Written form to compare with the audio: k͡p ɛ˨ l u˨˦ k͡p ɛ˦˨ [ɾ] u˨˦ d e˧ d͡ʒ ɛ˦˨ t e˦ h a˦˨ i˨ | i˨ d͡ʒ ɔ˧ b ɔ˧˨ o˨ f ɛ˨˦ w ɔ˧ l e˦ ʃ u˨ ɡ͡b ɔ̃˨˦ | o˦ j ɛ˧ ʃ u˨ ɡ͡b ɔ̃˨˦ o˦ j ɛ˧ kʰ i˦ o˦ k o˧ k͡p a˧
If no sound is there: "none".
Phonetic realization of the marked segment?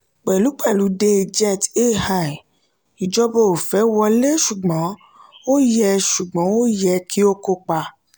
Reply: l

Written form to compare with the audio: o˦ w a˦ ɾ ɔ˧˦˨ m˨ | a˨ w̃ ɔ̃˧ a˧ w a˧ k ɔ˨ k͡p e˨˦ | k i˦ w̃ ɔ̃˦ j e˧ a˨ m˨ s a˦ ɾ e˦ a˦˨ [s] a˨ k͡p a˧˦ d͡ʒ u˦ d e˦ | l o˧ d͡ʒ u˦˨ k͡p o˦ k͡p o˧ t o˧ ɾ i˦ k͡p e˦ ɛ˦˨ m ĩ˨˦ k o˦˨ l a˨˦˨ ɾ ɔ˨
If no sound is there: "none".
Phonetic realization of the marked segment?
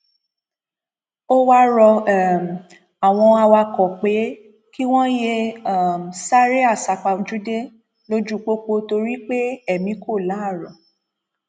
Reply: s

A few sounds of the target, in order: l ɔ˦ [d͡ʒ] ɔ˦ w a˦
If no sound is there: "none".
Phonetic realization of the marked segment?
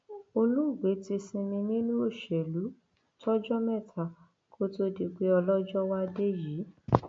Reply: d͡ʒ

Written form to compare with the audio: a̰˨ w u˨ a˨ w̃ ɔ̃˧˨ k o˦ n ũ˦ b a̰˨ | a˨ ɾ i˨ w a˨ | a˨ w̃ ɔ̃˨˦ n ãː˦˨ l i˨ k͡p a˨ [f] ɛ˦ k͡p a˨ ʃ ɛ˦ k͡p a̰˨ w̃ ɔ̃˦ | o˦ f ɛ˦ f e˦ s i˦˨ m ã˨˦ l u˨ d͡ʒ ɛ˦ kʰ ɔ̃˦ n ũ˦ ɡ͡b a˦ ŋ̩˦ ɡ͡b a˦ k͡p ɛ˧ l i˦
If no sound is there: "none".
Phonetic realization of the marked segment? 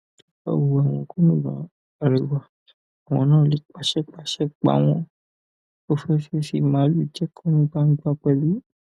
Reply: ʃ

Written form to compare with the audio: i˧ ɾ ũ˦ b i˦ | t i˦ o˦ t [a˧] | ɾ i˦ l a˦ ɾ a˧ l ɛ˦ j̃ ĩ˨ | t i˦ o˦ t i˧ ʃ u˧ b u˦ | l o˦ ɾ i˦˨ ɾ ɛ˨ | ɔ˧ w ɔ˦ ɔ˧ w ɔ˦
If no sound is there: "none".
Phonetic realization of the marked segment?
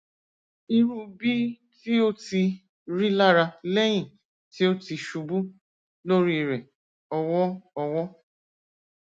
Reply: i˧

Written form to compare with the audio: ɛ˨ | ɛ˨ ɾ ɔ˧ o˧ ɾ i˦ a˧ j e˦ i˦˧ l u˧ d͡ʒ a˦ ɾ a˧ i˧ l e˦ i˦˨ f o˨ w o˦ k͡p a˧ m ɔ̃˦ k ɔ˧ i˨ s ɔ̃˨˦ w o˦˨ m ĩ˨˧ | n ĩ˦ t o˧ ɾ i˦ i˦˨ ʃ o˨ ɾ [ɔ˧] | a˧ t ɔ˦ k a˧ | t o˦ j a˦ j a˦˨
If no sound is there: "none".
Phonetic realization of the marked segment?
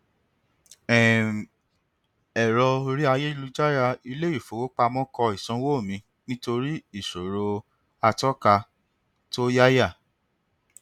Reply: o˧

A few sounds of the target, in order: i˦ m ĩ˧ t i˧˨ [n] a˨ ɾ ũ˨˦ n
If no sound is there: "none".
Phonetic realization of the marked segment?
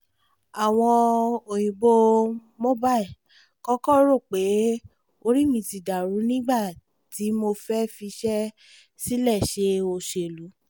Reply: d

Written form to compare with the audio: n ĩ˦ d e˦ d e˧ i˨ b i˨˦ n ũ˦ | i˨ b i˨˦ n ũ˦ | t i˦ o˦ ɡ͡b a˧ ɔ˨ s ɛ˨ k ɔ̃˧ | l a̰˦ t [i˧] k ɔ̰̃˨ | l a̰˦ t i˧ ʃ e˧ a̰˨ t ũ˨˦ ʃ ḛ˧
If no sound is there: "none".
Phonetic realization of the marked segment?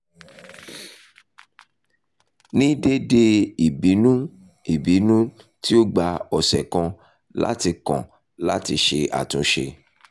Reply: i˧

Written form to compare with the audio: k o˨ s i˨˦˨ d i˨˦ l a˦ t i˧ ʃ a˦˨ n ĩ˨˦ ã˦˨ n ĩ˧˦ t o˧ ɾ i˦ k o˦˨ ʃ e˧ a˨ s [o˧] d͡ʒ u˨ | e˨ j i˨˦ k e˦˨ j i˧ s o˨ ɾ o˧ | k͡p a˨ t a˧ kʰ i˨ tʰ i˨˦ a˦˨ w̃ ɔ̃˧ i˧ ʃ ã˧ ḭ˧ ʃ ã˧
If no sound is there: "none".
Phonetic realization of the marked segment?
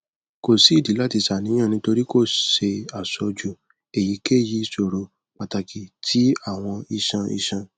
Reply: ɔ˧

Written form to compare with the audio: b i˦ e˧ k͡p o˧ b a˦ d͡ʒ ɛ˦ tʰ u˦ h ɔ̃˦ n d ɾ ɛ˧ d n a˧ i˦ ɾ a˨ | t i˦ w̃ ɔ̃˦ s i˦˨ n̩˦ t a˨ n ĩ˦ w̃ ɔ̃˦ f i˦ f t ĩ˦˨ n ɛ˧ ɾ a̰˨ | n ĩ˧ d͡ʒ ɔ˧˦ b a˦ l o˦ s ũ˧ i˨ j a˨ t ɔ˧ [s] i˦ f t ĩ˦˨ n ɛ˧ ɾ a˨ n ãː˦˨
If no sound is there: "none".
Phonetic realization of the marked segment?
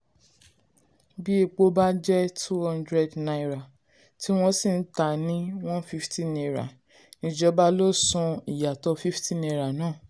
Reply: f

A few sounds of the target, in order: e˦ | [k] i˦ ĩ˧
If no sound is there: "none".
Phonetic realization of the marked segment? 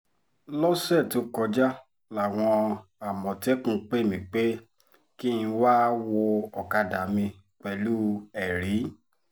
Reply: k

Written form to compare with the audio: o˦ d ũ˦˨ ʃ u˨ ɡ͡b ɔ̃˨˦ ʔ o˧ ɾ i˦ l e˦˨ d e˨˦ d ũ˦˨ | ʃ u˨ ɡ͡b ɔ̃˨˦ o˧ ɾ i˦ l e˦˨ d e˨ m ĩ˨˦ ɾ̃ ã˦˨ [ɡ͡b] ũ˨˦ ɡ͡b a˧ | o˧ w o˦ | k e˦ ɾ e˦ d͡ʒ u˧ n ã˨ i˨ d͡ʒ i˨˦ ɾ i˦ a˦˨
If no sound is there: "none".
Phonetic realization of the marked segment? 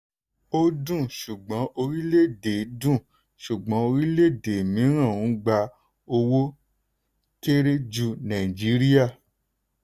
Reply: none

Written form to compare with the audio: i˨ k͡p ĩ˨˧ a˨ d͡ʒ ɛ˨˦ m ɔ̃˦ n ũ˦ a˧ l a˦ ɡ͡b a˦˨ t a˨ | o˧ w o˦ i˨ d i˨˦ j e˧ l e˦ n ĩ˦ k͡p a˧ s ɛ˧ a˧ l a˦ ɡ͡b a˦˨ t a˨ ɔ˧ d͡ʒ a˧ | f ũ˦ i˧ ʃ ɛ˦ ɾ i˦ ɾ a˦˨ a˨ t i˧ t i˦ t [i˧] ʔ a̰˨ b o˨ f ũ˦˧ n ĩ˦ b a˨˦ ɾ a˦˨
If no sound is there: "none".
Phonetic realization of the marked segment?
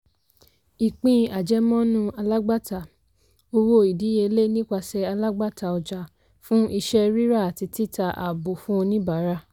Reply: a˧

